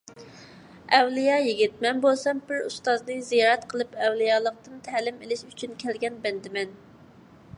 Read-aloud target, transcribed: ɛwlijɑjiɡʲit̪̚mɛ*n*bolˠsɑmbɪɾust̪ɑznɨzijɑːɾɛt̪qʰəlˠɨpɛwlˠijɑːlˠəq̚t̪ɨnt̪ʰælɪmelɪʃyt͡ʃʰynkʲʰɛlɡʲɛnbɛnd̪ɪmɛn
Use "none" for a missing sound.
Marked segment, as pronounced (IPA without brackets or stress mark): n